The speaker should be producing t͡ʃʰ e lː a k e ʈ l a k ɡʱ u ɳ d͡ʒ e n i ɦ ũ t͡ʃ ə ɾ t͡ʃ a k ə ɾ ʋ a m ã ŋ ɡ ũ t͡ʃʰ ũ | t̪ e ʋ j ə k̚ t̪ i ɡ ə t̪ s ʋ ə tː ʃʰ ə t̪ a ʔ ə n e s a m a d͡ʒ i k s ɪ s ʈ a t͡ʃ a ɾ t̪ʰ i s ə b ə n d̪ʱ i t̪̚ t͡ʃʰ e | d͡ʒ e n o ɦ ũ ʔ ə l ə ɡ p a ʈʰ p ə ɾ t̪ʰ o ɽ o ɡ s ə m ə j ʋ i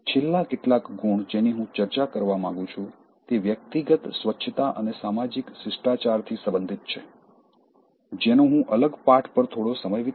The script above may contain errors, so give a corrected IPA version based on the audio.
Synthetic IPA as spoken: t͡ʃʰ e lː a k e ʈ l a k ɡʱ u ɳ d͡ʒ e n i ɦ ũ t͡ʃ ə ɾ t͡ʃ a k ə ɾ ʋ a m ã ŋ ɡ ũ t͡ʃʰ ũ | t̪ e ʋ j ə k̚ t̪ i ɡ ə t̪ s ʋ ə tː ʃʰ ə t̪ a ʔ ə n e s a m a d͡ʒ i k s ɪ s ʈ a t͡ʃ a ɾ t̪ʰ i s ə b ə n d̪ʱ i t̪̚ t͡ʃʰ e | d͡ʒ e n o ɦ ũ ʔ ə l ə ɡ p a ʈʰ p ə ɾ t̪ʰ o ɽ o s ə m ə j ʋ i